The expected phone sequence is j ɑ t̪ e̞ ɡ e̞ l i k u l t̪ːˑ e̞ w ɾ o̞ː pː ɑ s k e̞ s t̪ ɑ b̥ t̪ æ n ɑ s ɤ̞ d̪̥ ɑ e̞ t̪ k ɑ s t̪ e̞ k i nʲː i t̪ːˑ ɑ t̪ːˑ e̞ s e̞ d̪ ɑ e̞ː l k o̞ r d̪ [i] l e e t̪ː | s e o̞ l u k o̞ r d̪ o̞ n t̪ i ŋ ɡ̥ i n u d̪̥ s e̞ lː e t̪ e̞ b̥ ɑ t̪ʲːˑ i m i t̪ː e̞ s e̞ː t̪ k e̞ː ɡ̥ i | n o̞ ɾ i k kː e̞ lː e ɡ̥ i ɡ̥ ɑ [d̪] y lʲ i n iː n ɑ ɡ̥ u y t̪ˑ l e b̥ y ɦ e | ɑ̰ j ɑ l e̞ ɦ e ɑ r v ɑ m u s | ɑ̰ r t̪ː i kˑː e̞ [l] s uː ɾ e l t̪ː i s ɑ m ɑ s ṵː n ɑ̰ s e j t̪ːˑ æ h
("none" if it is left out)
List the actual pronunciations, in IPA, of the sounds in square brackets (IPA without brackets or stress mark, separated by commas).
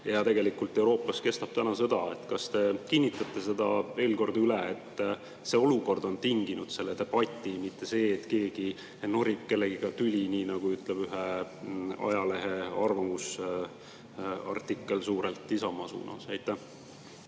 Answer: y, t̪, l